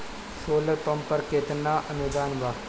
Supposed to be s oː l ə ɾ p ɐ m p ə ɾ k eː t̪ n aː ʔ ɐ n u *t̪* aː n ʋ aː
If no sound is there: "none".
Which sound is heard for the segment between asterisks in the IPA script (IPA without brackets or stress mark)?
d̪